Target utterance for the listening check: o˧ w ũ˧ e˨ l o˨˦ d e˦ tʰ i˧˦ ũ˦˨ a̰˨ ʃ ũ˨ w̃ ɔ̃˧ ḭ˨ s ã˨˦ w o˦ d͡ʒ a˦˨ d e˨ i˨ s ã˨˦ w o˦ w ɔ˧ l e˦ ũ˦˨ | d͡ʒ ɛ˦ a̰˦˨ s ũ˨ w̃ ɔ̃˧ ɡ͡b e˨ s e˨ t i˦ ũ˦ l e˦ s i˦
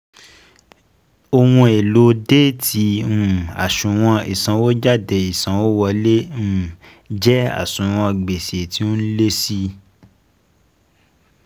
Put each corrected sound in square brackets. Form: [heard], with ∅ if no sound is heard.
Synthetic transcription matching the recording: o˧ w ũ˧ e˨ l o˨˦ d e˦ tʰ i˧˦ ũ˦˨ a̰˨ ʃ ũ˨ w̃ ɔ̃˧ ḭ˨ s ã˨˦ w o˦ d͡ʒ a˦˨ d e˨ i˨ s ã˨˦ w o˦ w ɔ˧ l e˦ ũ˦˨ | d͡ʒ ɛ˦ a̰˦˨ s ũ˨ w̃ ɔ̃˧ ɡ͡b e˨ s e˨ t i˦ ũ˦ l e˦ s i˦